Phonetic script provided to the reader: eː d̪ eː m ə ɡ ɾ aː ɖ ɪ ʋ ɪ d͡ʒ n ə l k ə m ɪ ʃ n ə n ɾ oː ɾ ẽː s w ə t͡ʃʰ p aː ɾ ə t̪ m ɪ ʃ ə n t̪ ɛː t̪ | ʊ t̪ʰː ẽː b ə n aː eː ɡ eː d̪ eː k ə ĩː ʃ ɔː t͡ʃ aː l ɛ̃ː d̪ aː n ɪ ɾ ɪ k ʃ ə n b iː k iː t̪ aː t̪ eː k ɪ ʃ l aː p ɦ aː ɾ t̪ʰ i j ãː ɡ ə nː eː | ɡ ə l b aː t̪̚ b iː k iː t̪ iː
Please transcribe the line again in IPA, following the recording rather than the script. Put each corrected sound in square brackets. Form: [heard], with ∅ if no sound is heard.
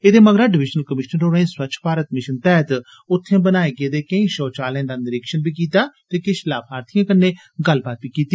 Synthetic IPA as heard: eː d̪ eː m ə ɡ ɾ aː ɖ ɪ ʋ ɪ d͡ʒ n ə l k ə m ɪ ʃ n ə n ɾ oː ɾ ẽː s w ə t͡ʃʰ p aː ɾ ə t̪ m ɪ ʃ ə n t̪ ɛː t̪ | ʊ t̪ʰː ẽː b ə n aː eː ɡ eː d̪ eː k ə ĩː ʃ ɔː t͡ʃ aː l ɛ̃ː d̪ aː n ɪ ɾ ɪ k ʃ ə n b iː k iː t̪ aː t̪ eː k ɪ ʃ l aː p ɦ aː ɾ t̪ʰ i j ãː [k] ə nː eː | ɡ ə l b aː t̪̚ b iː k iː t̪ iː